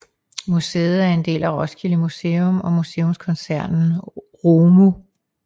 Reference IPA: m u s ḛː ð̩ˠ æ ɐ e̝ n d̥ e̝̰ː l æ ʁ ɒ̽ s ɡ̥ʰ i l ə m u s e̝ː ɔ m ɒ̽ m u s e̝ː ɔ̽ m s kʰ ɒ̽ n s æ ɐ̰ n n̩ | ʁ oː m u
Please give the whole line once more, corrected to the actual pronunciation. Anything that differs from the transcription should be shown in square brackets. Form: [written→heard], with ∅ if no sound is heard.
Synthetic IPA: m u s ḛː ð̩ˠ æ ɐ e̝ n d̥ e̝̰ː l æ ʁ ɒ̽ s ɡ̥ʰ i l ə m u s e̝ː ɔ m ɒ̽ m u s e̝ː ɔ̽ m s kʰ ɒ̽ n s æ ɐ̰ n n̩ | ʁ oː m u